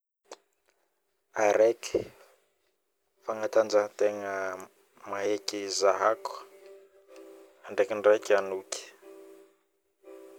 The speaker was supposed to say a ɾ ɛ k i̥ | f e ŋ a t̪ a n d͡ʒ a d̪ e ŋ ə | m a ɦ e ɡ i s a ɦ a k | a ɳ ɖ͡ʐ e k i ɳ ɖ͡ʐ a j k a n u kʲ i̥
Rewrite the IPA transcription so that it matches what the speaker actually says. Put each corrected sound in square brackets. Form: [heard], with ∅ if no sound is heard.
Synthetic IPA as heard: a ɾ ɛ k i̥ | f [a] ŋ a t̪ a n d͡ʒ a [t̪] e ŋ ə | m a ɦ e [k] i [z] a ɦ a k | a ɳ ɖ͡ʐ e k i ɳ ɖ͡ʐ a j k a n u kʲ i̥